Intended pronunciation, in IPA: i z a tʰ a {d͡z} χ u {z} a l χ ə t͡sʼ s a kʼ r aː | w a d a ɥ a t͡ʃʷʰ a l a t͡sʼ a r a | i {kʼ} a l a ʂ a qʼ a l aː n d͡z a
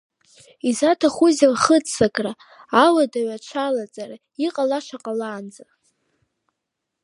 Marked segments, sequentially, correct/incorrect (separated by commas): incorrect, correct, incorrect